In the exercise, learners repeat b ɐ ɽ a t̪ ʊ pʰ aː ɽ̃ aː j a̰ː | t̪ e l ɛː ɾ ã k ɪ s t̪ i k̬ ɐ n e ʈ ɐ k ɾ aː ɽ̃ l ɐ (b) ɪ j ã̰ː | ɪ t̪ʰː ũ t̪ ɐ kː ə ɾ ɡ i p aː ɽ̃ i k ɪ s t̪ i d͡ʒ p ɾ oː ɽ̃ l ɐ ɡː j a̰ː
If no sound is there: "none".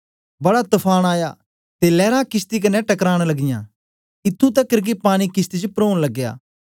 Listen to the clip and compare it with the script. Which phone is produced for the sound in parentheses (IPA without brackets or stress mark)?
ɡ